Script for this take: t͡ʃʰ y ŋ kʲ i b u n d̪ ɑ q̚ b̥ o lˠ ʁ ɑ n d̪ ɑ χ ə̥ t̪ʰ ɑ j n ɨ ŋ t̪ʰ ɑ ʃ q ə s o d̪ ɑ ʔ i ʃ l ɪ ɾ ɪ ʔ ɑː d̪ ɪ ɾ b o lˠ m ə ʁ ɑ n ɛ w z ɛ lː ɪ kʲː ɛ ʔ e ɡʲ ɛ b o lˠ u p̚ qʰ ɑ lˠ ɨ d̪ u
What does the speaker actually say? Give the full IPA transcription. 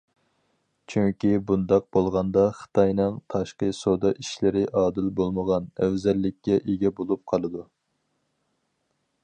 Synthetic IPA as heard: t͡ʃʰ y ŋ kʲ i b u n d̪ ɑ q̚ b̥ o lˠ ʁ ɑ n d̪ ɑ χ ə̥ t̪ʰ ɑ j n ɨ ŋ t̪ʰ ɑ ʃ q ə s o d̪ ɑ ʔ i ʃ l ɪ ɾ ɪ ʔ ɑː d̪ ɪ l b o lˠ m ə ʁ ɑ n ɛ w z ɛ lː ɪ kʲː ɛ ʔ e ɡʲ ɛ b o lˠ u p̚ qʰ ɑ lˠ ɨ d̪ u